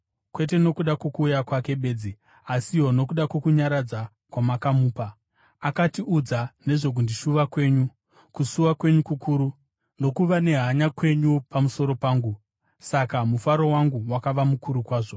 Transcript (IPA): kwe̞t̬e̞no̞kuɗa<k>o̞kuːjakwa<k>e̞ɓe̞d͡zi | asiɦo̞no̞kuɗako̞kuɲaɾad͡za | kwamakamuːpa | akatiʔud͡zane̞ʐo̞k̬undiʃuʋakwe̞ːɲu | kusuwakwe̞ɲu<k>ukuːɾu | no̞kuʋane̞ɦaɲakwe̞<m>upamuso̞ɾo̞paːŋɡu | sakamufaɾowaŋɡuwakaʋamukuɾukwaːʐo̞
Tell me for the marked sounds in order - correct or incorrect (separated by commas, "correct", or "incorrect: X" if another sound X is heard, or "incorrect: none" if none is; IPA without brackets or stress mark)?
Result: correct, correct, correct, incorrect: ɲ